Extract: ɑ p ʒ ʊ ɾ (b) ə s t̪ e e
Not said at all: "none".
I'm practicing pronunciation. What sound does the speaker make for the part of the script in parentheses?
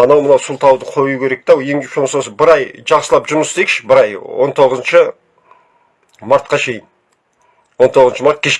m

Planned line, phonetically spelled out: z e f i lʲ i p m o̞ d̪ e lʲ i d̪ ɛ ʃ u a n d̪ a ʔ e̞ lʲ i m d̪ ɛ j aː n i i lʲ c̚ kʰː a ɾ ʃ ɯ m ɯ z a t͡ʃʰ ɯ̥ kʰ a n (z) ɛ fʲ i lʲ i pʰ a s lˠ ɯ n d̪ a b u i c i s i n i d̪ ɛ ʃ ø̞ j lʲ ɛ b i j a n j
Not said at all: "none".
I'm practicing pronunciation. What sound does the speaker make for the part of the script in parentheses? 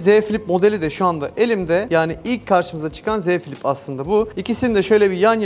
z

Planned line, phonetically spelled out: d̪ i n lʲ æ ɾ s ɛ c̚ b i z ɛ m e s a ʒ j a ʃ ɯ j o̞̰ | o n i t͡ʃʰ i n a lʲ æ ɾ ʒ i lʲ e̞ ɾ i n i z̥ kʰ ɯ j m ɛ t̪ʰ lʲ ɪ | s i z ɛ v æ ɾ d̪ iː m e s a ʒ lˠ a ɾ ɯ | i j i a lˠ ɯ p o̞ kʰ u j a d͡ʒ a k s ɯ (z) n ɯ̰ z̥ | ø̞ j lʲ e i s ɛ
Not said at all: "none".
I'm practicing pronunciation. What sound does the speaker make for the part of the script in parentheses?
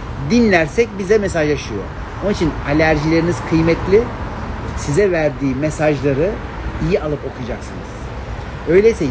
none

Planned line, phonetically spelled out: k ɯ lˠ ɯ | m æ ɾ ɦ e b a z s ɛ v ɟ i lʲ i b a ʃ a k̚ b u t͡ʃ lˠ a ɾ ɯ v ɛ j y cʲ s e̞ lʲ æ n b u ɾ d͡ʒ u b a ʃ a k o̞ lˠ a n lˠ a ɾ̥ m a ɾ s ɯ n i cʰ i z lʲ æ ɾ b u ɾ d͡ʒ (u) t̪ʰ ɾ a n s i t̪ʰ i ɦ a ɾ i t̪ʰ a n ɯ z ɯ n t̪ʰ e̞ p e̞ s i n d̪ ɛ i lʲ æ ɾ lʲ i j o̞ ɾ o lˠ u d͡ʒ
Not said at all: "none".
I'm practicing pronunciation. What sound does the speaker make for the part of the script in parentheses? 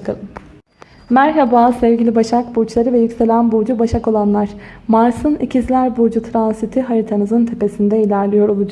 u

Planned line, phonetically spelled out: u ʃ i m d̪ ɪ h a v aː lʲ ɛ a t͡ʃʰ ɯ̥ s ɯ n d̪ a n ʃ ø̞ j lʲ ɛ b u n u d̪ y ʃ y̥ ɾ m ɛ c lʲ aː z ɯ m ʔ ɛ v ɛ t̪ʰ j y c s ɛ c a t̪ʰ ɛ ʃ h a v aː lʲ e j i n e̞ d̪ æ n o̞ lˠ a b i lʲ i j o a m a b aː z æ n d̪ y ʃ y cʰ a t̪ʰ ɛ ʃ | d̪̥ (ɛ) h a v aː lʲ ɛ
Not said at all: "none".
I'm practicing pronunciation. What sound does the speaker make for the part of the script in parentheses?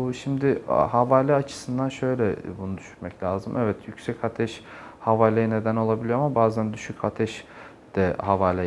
ɛ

